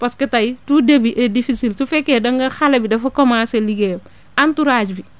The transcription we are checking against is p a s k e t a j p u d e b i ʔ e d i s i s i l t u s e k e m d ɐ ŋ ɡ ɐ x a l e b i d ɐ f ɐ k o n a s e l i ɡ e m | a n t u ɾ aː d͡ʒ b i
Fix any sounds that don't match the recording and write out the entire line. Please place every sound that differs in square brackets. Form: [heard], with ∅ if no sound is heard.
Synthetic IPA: p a s k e t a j [t] u d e b i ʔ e d i [f] i s i l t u [f] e k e [∅] d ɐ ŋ ɡ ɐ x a l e b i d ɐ f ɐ k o [m] a s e l i ɡ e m | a n t u ɾ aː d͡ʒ b i